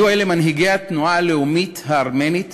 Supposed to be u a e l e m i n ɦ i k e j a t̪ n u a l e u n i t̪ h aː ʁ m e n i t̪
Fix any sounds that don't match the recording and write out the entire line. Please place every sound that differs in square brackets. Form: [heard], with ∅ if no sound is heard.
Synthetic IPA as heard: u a e l e m [a] n ɦ i [ɡ] e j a t̪ n u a l e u [m] i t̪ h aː ʁ m e n i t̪